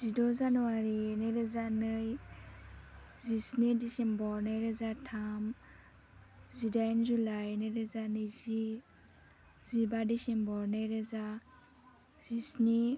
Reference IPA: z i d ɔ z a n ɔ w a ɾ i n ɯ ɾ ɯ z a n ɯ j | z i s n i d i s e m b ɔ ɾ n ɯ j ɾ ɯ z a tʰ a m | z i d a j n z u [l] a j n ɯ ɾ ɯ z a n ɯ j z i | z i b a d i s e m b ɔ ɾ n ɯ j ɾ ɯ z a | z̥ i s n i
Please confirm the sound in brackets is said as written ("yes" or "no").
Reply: yes